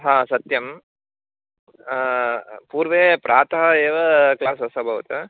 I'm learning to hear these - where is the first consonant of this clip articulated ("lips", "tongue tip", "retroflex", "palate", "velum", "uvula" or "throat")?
throat